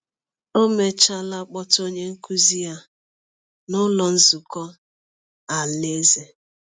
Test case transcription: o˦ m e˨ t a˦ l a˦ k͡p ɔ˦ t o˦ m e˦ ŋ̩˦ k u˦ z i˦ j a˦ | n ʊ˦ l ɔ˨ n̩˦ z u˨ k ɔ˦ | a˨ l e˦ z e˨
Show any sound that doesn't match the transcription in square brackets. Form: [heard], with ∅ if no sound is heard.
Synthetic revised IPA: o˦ m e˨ [t͡ʃ] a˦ l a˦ k͡p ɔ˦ t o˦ [ɲ] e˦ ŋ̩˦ k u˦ z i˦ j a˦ | n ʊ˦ l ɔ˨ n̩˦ z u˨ k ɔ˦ | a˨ l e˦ z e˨

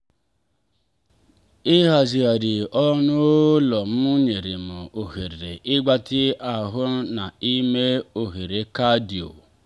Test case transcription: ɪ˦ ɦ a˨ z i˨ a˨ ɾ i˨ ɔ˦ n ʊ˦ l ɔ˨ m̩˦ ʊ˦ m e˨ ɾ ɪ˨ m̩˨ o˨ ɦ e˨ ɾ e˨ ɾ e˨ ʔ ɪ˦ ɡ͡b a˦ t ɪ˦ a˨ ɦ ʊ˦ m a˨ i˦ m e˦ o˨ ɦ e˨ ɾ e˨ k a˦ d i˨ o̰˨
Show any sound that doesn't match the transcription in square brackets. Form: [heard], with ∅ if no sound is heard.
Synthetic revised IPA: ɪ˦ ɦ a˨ z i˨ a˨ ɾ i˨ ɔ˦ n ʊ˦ l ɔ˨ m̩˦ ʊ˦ [ɲ] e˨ ɾ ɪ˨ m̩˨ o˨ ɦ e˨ ɾ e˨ ɾ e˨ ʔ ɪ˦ ɡ͡b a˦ t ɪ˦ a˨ ɦ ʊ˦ [n] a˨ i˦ m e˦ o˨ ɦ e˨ ɾ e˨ k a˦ d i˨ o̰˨

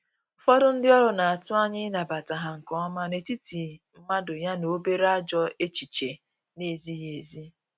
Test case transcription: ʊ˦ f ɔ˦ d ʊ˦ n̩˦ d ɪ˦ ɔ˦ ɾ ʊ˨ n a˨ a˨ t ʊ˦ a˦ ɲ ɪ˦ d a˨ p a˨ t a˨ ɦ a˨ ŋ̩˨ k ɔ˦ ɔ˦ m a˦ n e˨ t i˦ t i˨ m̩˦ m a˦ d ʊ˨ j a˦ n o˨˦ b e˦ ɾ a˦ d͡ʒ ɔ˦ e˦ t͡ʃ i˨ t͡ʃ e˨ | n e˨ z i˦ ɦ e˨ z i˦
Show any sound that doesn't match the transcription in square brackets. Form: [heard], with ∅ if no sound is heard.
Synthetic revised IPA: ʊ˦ f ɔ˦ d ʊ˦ n̩˦ d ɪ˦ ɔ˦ ɾ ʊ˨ n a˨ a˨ t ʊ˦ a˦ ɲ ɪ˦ [n] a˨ [b] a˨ t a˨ ɦ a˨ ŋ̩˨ k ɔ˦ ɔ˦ m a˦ n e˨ t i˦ t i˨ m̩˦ m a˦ d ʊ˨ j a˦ n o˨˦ b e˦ ɾ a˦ d͡ʒ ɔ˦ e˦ t͡ʃ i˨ t͡ʃ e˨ | n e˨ z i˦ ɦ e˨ z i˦

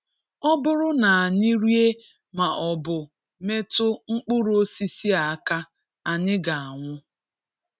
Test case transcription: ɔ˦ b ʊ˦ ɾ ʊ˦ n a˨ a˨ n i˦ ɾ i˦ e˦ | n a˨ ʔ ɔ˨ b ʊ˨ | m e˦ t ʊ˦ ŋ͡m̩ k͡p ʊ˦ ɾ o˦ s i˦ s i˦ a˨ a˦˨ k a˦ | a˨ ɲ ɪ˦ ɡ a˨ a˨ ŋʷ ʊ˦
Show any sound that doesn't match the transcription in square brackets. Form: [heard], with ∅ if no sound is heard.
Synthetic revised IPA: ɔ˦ b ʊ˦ ɾ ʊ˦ n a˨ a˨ [ɲ] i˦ ɾ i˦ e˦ | [m] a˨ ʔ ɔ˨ b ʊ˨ | m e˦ t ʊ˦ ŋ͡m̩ k͡p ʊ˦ ɾ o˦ s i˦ s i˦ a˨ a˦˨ k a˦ | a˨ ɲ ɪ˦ ɡ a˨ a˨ ŋʷ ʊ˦

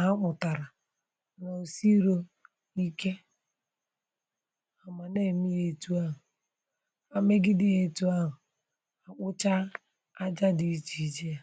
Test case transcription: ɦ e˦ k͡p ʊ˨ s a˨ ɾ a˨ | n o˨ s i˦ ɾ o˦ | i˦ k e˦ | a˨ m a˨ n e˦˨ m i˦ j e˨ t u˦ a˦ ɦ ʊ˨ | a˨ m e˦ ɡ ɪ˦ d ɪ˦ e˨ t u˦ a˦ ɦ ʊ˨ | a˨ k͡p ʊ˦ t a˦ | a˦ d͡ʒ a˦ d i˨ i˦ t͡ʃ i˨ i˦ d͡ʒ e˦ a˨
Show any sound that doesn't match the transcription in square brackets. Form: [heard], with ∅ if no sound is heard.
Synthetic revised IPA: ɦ [a˦] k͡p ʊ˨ [t] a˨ ɾ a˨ | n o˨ s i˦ ɾ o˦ | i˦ k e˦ | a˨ m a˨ n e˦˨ m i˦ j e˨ t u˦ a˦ ɦ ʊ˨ | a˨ m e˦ ɡ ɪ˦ d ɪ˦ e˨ t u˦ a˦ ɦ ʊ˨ | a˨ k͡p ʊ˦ [t͡ʃ] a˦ | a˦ d͡ʒ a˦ d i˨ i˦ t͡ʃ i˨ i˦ d͡ʒ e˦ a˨

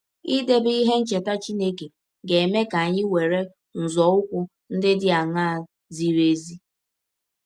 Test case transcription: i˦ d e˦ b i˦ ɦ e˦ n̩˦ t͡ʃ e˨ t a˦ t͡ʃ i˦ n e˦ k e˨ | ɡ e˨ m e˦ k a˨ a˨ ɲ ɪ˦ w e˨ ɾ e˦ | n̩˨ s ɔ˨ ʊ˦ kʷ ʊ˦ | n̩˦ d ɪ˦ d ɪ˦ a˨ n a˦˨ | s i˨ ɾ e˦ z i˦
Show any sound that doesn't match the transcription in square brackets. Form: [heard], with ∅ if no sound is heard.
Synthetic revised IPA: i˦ d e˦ b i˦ ɦ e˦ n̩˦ t͡ʃ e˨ t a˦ t͡ʃ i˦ n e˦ k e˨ | ɡ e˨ m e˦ k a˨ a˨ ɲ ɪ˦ w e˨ ɾ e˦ | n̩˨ [z] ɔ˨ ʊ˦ kʷ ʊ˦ | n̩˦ d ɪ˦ d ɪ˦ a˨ [ŋ] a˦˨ | [z] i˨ ɾ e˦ z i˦

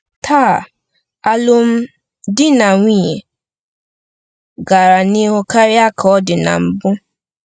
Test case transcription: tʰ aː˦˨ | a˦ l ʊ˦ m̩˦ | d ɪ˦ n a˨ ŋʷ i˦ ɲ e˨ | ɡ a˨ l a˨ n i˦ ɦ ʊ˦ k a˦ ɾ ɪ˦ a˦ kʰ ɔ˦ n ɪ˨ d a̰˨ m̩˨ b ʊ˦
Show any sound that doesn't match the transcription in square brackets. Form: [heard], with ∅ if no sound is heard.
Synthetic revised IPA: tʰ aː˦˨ | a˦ l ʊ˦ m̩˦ | d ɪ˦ n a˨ ŋʷ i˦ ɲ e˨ | ɡ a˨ [ɾ] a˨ n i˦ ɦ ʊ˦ k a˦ ɾ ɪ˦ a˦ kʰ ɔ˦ [d] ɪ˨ [n] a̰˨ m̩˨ b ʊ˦

